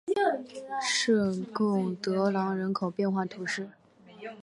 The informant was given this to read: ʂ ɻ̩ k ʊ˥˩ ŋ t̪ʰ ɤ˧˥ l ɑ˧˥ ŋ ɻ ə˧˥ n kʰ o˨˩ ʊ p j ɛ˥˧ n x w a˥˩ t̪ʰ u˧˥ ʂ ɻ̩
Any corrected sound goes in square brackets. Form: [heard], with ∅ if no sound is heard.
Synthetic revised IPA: ʂ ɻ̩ k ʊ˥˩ ŋ [t̪] ɤ˧˥ l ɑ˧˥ ŋ ɻ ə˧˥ n kʰ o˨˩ ʊ p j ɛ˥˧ n x w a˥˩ t̪ʰ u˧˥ ʂ ɻ̩